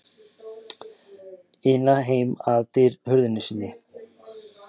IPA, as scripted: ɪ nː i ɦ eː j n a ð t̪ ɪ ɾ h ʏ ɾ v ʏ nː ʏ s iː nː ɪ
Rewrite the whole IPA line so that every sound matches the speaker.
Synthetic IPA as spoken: ɪ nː a ɦ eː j m a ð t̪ ɪ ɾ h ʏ ɾ ð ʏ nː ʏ s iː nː ɪ